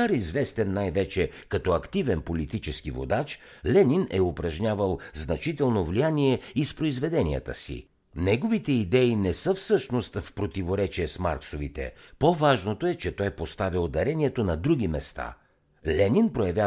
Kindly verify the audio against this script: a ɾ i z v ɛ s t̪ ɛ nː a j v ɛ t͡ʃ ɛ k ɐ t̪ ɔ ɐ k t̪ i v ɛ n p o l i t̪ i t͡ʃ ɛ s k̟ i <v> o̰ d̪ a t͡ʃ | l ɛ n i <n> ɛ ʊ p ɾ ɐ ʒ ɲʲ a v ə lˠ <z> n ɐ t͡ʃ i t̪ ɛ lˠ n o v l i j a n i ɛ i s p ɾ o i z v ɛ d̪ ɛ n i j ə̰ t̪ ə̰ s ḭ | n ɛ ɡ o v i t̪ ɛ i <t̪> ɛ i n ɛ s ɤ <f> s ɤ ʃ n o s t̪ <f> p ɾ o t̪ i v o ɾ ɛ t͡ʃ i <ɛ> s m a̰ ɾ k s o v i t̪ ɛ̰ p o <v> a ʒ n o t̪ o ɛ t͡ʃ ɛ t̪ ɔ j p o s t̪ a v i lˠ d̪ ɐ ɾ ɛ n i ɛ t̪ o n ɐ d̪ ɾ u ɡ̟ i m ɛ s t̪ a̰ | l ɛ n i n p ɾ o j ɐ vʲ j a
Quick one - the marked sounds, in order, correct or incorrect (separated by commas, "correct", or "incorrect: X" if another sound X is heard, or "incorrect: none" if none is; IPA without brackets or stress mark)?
correct, correct, correct, incorrect: d̪, correct, correct, correct, correct